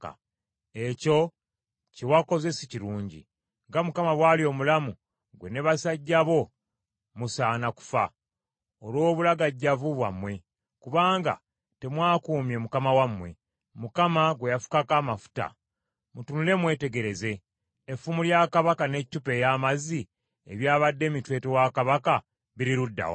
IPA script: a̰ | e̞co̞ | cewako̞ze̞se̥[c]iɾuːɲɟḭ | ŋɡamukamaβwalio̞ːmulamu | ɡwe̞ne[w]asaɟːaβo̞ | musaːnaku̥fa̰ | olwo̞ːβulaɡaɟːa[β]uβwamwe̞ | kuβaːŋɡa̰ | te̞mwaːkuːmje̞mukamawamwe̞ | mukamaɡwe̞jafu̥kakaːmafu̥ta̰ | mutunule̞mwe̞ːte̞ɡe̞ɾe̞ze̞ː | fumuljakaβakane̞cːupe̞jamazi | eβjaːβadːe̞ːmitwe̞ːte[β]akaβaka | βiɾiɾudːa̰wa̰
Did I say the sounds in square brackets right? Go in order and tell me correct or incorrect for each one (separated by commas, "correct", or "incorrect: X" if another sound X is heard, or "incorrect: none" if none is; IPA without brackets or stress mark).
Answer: correct, incorrect: β, incorrect: v, incorrect: w